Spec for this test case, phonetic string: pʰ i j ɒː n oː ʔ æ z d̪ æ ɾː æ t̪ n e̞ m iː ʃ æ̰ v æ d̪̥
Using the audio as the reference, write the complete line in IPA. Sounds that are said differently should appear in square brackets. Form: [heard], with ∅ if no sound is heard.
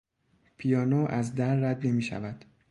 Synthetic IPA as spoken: pʰ i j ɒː n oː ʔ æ z d̪ æ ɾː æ [d̪] n e̞ m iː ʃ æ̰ v æ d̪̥

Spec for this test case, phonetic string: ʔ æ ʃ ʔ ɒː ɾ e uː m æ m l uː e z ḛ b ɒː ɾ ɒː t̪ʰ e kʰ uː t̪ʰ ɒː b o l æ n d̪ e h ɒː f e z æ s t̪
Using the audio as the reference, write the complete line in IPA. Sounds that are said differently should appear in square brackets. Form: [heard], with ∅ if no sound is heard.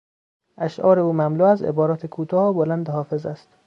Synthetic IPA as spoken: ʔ æ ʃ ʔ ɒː ɾ e uː m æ m l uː [æ] z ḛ b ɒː ɾ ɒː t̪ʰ e kʰ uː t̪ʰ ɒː b o l æ n d̪ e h ɒː f e z æ s t̪

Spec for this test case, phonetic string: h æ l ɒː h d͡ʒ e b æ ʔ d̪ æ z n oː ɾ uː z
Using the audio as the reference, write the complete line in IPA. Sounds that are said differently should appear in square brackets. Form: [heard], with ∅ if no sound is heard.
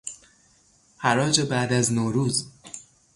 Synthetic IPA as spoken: h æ [ɾ] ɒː [∅] d͡ʒ e b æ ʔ d̪ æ z n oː ɾ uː z

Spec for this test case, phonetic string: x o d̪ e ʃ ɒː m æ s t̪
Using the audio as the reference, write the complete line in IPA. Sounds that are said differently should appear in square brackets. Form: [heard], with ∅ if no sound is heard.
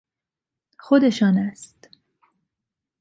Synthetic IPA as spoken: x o d̪ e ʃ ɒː [n] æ s t̪

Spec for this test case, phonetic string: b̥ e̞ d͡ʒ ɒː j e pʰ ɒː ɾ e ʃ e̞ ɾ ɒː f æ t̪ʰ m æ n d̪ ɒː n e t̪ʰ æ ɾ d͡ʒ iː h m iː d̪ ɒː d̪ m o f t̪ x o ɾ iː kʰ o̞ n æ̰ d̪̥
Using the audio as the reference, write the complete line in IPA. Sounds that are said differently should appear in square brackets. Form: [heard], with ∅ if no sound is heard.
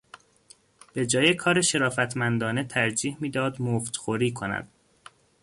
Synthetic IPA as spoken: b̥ e̞ d͡ʒ ɒː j e [kʰ] ɒː ɾ e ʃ e̞ ɾ ɒː f æ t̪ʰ m æ n d̪ ɒː n e t̪ʰ æ ɾ d͡ʒ iː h m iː d̪ ɒː d̪ m o f t̪ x o ɾ iː kʰ o̞ n æ̰ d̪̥

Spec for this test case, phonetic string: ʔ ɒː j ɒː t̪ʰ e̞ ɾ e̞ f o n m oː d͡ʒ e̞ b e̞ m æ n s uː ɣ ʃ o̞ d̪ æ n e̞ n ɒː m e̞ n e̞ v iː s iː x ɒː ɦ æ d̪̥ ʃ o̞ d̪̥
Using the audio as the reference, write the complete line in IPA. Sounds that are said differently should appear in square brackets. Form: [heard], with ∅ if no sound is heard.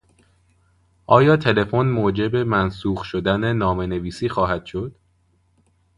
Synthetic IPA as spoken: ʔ ɒː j ɒː t̪ʰ e̞ [l] e̞ f o n m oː d͡ʒ e̞ b e̞ m æ n s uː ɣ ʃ o̞ d̪ æ n e̞ n ɒː m e̞ n e̞ v iː s iː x ɒː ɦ æ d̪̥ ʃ o̞ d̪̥

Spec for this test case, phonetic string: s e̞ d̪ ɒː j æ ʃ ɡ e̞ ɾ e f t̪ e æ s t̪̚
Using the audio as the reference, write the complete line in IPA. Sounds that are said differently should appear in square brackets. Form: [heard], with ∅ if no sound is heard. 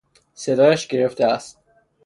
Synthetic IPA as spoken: s e̞ d̪ ɒː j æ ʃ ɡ e̞ ɾ e f t̪ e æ s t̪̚

